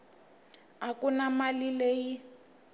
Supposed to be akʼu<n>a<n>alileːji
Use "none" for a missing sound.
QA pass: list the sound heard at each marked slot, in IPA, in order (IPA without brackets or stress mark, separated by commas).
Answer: n, m